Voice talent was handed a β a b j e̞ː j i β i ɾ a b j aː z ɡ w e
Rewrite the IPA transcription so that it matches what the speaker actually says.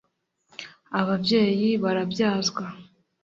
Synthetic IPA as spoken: a β a b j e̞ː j i β a ɾ a b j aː z ɡ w a

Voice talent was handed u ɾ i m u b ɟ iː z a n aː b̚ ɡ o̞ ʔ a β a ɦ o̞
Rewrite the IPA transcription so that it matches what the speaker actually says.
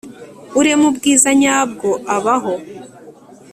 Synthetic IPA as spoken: u ɾ e m u b ɡ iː z a ɲ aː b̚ ɡ o̞ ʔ a β a ɦ o̞

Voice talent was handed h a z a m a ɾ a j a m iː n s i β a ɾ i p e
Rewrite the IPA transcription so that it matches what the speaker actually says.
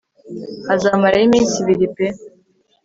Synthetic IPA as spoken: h a z a m a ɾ a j i m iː n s i β i ɾ i p e

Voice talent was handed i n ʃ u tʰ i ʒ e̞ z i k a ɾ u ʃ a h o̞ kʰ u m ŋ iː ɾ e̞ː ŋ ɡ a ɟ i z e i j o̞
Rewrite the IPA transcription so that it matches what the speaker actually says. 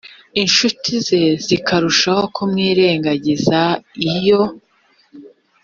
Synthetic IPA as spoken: i n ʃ u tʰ i z e̞ z i k a ɾ u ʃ a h o̞ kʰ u m ŋ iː ɾ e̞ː ŋ ɡ a ɟ i z a i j o̞

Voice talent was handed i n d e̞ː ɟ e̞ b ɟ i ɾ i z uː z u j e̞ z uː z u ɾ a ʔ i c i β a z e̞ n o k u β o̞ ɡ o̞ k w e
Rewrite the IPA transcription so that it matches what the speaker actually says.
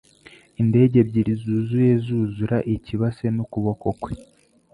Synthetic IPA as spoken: i n d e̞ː ɟ e̞ b ɟ i ɾ i z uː z u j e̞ z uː z u ɾ a ʔ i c i β a s e̞ n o k u β o̞ k o̞ k w e

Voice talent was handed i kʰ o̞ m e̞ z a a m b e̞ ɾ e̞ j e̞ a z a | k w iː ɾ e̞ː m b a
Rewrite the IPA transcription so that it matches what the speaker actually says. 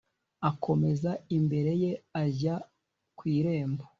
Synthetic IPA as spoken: a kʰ o̞ m e̞ z a i m b e̞ ɾ e̞ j e̞ a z a | k w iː ɾ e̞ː m b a

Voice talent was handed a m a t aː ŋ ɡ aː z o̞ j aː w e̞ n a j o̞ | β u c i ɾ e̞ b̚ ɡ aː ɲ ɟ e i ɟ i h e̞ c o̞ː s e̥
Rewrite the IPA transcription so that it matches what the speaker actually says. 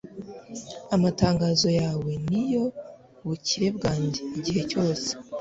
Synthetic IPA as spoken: a m a t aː ŋ ɡ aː z o̞ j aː w e̞ n i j o̞ | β u c i ɾ e̞ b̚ ɡ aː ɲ ɟ e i ɟ i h e̞ c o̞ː s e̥

